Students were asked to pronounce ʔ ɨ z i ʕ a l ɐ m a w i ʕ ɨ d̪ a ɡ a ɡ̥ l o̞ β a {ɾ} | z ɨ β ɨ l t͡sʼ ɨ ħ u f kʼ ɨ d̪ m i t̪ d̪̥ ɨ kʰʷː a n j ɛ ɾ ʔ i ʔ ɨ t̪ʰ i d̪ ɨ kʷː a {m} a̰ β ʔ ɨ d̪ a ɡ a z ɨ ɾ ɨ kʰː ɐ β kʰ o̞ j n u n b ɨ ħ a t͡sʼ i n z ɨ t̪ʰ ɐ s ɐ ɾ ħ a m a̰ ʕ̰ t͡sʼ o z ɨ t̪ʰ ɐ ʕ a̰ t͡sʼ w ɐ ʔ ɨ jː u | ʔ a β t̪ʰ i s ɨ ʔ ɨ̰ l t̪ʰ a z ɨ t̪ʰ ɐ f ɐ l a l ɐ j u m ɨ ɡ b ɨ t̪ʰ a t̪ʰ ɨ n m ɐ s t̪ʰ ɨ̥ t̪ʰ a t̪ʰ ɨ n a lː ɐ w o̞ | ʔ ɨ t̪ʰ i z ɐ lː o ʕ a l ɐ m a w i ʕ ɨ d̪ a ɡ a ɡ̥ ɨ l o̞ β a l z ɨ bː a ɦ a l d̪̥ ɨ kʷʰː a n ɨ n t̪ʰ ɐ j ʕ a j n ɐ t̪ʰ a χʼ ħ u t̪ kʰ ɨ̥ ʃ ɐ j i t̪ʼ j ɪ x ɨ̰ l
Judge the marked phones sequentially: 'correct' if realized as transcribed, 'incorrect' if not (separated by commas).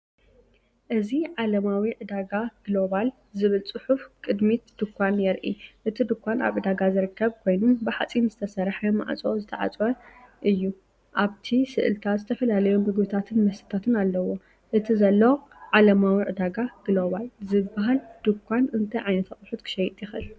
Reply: incorrect, incorrect